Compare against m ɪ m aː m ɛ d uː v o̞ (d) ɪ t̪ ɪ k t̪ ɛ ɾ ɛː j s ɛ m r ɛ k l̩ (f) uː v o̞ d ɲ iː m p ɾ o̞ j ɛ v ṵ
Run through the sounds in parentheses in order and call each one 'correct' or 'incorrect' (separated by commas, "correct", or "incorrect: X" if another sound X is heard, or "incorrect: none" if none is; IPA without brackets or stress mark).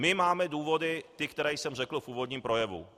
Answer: correct, correct